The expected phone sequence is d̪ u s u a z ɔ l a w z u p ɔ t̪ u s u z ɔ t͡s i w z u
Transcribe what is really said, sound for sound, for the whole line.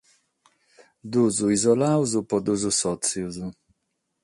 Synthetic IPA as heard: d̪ u z u i z ɔ l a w z u p ɔ d̪ u z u s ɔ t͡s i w z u

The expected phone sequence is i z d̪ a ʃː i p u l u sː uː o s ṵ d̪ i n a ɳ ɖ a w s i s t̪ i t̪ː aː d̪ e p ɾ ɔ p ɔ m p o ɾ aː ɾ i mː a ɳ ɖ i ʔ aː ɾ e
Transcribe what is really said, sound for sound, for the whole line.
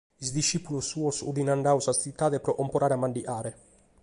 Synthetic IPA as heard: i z d̪ i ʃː i p u l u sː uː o s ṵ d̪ i n a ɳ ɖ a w s a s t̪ i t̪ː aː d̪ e p ɾ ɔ ʔ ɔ m p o ɾ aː ɾ a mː a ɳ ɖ i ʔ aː ɾ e

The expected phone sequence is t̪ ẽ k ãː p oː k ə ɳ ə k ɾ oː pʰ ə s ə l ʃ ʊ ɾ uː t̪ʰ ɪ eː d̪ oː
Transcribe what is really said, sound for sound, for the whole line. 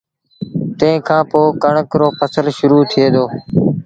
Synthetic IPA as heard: t̪ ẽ kʰ ãː p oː k ə ɳ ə k ɾ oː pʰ ə s ə l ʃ ʊ ɾ uː t̪ʰ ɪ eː d̪ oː

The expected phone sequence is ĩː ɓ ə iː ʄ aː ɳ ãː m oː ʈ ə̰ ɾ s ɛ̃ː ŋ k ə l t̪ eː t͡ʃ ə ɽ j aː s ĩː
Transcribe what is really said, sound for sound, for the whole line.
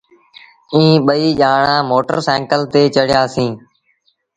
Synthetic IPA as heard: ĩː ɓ ə iː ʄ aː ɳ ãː m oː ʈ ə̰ ɾ s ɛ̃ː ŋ k ə l t̪ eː t͡ʃ ə ɽ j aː s ĩː

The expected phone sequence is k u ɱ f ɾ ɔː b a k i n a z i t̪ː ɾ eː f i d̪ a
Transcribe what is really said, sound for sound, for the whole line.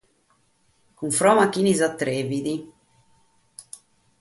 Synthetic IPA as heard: k u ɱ f ɾ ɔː m a k i n i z a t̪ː ɾ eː v i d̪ i

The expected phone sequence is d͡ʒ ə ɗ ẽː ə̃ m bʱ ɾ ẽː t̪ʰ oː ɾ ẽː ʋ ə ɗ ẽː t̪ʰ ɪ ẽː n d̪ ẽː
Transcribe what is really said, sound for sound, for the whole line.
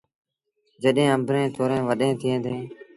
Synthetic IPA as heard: d͡ʒ ə ɗ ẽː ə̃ m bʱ ɾ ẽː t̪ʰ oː ɾ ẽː ʋ ə ɗ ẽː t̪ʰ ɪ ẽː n d̪ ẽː

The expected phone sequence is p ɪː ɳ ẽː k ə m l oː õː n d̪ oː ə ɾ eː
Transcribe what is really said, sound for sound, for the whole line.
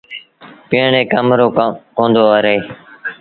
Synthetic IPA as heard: p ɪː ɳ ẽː k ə m ɾ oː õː n d̪ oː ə ɾ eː

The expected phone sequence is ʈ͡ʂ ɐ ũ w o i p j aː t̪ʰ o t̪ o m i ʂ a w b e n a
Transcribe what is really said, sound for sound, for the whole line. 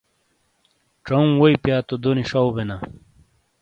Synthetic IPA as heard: ʈ͡ʂ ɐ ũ w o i p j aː t̪ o d̪ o n i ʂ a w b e n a

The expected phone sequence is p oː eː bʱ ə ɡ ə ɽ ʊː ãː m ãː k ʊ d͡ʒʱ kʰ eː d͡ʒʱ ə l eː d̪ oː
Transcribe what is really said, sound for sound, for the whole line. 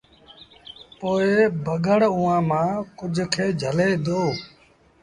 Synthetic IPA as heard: p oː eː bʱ ə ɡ ə ɽ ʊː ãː m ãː k ʊ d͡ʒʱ kʰ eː d͡ʒʱ ə l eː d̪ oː

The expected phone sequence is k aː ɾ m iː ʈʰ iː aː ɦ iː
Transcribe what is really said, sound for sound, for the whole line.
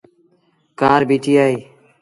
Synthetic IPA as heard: k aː ɾ b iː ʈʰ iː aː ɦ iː

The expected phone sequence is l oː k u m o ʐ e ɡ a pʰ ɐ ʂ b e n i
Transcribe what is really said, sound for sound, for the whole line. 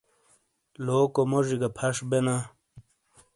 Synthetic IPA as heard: l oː k o m o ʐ i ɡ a pʰ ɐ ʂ b e n a

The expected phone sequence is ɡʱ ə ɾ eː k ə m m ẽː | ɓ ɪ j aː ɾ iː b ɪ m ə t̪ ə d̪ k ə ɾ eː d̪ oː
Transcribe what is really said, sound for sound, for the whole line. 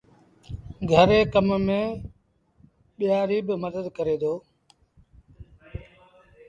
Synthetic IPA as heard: ɡʱ ə ɾ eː k ə m m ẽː | ɓ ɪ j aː ɾ iː b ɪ m ə d̪ ə d̪ k ə ɾ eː d̪ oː

